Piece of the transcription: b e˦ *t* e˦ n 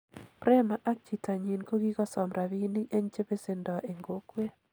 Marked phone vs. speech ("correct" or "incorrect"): incorrect